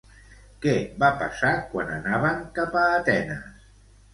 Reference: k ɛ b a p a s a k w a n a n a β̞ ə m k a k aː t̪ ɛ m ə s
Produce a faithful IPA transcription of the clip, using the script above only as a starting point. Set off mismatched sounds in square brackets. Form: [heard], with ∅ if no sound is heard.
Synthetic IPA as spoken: k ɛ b a p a s a k w a n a n a β̞ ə [ŋ] k a [p] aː t̪ ɛ [n] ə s